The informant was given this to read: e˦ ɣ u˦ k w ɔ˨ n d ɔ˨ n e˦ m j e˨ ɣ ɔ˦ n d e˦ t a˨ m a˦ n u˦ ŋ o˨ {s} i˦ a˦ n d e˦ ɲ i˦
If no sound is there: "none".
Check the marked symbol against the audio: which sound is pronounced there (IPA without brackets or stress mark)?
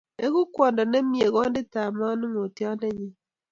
t